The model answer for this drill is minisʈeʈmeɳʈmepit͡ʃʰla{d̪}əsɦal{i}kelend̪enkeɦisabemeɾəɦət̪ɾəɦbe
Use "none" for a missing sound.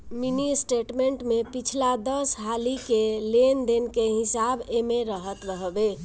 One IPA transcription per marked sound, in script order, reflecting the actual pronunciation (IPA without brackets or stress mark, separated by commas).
d̪, i